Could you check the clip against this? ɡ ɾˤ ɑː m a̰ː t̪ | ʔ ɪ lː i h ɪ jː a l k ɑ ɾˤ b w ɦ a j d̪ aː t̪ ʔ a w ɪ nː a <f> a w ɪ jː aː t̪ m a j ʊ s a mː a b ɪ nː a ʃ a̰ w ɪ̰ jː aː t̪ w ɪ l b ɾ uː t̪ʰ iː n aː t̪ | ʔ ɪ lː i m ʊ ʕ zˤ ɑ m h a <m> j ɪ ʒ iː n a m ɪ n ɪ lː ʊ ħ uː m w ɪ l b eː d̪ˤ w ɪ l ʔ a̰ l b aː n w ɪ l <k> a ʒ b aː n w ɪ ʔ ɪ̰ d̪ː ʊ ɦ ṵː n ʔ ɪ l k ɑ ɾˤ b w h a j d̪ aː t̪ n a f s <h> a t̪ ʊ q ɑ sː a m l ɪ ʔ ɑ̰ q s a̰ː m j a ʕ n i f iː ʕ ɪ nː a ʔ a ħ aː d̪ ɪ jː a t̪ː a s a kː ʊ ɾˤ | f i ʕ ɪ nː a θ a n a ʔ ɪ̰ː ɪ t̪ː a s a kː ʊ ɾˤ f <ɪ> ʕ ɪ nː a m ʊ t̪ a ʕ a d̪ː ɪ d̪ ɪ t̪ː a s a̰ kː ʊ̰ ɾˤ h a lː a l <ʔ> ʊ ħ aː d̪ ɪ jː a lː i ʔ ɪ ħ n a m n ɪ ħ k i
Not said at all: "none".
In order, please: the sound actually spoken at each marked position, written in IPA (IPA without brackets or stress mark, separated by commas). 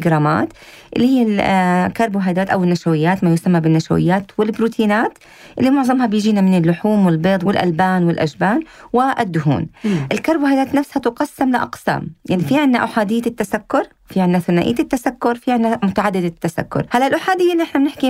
ʃ, b, ʔ, h, i, ʔ